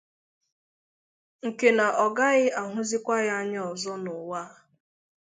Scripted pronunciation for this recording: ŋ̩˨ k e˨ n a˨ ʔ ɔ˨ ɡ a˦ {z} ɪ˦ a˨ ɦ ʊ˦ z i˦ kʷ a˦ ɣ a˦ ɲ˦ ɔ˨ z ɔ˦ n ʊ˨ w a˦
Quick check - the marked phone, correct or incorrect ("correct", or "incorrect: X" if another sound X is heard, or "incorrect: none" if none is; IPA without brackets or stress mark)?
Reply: incorrect: ɣ